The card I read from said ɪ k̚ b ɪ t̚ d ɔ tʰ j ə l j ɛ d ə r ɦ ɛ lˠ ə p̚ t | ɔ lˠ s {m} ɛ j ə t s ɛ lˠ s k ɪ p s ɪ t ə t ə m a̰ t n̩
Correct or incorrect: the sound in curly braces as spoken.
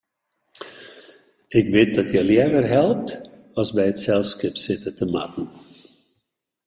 incorrect: b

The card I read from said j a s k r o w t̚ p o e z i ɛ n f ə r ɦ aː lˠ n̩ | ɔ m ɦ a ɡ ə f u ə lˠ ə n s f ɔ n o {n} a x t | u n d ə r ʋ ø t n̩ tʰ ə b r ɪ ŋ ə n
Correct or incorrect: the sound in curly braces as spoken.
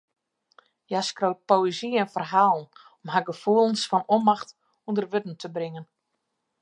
incorrect: m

